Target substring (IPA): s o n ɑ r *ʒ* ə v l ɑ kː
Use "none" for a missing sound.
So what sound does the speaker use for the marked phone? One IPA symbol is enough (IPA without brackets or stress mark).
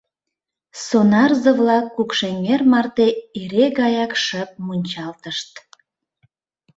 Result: z